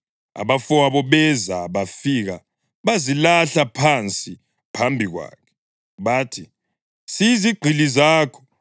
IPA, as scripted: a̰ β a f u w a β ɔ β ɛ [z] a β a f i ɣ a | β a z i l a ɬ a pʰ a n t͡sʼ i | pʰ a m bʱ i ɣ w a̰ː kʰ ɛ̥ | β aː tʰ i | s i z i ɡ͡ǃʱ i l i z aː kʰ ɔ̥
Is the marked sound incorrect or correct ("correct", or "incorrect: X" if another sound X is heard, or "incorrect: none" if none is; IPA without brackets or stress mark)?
correct